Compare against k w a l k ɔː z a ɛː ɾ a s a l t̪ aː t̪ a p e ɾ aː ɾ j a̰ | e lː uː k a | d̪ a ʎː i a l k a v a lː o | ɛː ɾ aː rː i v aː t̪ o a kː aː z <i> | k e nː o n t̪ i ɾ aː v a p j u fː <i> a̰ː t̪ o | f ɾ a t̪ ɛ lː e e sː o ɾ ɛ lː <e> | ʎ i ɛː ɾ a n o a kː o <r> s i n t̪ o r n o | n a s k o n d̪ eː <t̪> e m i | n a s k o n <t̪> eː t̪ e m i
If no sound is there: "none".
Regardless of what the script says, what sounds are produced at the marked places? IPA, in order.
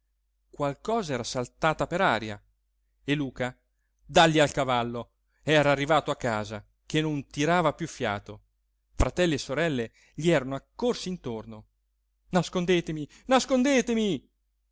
a, j, e, r, t̪, d̪

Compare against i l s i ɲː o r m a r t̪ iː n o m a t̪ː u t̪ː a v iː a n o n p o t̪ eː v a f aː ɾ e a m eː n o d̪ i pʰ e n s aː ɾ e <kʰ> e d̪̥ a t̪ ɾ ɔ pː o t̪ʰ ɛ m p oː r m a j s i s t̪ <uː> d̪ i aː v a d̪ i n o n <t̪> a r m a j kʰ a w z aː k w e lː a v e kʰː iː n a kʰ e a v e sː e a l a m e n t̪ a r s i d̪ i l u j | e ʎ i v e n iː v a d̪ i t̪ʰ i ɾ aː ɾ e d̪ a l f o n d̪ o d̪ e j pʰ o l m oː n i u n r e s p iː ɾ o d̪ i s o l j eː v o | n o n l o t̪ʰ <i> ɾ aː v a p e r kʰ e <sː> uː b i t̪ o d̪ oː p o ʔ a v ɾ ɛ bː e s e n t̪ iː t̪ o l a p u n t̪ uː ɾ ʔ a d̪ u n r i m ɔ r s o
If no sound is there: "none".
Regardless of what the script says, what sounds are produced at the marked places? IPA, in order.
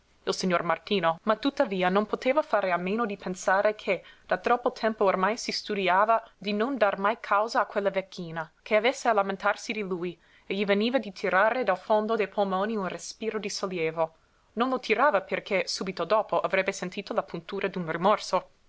kʰ, u, d̪, i, s

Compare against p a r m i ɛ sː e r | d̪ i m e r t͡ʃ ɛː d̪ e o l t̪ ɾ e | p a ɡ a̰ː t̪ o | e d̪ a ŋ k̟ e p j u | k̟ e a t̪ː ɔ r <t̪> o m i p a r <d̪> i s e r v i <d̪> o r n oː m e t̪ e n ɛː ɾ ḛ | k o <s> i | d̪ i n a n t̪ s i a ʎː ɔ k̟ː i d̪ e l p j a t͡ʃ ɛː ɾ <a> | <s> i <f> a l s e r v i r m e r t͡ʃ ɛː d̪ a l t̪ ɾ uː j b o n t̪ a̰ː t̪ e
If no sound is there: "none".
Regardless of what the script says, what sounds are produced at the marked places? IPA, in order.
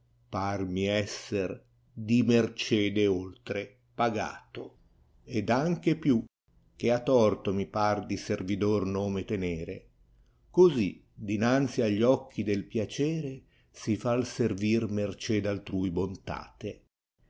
t̪, d̪, d̪, z, e, s, f

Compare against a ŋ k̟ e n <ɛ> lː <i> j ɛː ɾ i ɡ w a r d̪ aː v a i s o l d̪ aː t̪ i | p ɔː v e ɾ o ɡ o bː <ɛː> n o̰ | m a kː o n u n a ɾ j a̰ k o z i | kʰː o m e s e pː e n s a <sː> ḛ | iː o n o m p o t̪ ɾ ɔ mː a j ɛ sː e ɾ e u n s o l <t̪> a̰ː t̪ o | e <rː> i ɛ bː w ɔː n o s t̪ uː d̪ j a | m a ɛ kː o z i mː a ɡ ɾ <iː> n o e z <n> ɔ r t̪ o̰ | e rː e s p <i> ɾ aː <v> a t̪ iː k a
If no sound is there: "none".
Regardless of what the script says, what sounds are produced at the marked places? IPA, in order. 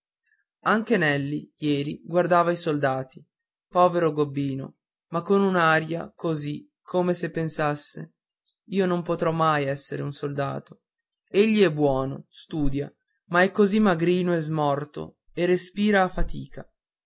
ɛ, i, iː, sː, d̪, ʎː, iː, m, iː, f

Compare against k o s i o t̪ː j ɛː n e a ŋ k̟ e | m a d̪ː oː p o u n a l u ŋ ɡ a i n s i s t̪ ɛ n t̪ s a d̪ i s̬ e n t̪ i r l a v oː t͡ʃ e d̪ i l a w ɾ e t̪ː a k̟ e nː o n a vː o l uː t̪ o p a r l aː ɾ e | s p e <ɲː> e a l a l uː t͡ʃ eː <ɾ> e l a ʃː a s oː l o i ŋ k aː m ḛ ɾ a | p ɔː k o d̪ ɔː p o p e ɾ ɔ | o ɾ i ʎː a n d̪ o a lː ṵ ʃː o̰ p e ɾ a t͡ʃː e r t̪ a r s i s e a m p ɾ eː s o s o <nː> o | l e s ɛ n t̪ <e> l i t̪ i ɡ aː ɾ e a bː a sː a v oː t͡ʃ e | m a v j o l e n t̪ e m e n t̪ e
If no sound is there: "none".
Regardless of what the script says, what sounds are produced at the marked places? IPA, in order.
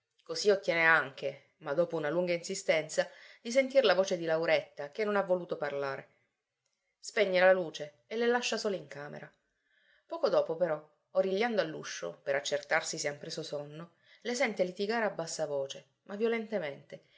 ɲː, l, nː, e

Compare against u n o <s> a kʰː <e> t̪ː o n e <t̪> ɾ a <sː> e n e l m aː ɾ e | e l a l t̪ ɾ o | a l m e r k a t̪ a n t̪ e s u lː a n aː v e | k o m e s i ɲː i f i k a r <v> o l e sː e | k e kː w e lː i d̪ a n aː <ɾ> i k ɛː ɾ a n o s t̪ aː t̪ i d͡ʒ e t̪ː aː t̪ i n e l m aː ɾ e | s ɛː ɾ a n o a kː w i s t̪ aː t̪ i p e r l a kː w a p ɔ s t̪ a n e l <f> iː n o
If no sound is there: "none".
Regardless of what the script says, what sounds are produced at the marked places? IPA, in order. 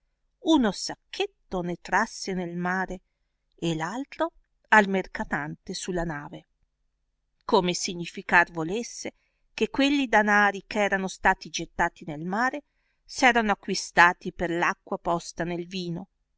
s, e, t̪, sː, v, ɾ, v

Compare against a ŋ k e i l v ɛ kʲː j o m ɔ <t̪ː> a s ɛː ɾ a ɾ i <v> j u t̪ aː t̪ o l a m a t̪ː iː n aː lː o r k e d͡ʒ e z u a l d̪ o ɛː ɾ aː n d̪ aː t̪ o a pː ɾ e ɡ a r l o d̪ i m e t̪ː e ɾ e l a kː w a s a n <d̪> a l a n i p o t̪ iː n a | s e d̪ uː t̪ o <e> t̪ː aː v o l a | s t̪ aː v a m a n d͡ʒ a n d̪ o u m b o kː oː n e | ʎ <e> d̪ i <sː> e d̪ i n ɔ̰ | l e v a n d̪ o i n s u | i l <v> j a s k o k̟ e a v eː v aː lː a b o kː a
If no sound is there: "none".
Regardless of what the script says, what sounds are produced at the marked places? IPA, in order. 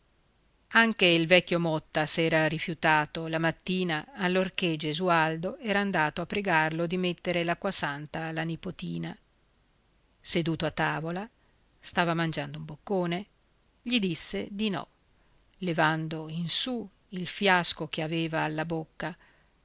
t̪ː, f, t̪, a, i, sː, f

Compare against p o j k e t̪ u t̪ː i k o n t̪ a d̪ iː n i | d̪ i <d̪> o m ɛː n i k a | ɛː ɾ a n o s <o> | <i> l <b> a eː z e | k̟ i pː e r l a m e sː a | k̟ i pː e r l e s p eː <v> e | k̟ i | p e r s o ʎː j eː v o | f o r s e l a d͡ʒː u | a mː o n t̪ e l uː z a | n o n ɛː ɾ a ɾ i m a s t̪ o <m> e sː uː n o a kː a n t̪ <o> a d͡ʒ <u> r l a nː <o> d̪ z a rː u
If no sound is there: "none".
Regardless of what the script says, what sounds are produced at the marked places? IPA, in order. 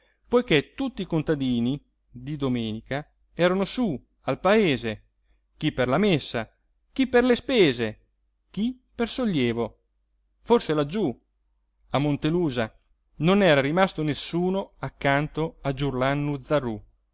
d̪, u, a, p, z, n, o, u, u

